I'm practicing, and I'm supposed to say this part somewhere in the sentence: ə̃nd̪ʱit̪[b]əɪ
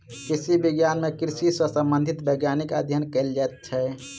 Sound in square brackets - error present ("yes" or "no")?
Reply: no